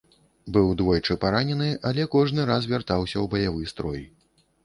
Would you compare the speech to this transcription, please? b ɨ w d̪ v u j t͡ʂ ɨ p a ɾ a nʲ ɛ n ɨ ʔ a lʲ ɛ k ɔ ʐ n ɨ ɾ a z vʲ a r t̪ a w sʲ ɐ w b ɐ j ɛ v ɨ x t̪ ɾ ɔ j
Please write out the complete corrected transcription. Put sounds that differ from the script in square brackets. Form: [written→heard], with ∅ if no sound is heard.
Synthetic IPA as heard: b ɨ w d̪ v [u→ɔ] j t͡ʂ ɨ p a ɾ a nʲ ɛ n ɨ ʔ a lʲ ɛ k ɔ ʐ n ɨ ɾ a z vʲ a r t̪ a w sʲ ɐ w b ɐ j [ɛ→a] v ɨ [x→s] t̪ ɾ ɔ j

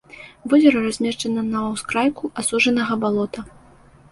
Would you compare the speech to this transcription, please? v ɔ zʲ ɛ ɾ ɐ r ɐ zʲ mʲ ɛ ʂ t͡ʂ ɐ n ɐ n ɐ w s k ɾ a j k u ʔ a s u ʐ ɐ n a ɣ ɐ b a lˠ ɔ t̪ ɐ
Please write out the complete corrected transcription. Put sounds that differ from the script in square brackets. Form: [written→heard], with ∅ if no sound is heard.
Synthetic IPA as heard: v ɔ zʲ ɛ ɾ ɐ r [ɐ→a] zʲ mʲ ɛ ʂ t͡ʂ ɐ n ɐ n ɐ w s k ɾ a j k u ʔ a s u ʐ ɐ n [a→ɐ] ɣ ɐ b a lˠ ɔ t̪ ɐ

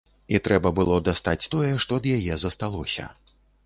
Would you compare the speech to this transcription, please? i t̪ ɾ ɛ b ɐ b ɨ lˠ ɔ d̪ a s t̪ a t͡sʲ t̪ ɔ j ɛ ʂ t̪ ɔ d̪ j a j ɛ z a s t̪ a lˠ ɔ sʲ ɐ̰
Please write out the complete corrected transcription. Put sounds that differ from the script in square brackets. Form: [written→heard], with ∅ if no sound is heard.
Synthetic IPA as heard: i t̪ ɾ ɛ b ɐ b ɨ lˠ ɔ d̪ a s t̪ a t͡sʲ t̪ ɔ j ɛ ʂ t̪ ɔ d̪ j a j ɛ z [a→ɐ] s t̪ a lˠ ɔ sʲ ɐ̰

